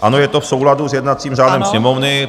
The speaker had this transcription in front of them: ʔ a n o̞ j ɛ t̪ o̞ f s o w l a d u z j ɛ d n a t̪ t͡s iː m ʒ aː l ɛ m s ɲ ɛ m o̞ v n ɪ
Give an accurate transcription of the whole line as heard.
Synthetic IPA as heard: ʔ a n o̞ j ɛ t̪ o̞ f s o w l a d u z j ɛ d n a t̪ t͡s iː m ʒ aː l ɛ m s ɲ ɛ m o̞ v n ɪ